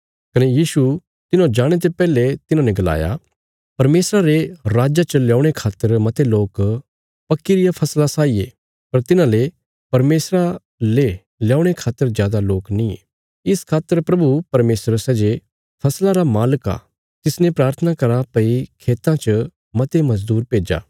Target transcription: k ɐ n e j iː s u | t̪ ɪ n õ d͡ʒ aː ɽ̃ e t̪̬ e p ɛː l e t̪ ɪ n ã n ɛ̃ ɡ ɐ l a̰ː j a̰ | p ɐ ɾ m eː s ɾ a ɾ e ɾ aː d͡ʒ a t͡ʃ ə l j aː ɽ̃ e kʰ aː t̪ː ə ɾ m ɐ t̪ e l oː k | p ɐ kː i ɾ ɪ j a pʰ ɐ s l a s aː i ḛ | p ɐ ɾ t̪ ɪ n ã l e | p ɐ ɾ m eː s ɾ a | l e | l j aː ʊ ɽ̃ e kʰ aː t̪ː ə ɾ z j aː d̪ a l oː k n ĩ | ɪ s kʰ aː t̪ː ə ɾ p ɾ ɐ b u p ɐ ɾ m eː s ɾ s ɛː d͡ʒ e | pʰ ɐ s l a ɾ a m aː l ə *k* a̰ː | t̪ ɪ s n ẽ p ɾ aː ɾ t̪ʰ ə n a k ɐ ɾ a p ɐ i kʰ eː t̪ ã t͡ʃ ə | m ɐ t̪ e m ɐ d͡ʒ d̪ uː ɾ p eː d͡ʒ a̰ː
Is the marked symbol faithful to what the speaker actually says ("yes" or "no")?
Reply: yes